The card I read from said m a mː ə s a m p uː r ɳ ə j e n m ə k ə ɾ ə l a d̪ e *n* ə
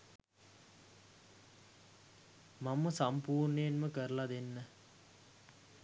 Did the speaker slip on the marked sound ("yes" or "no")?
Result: yes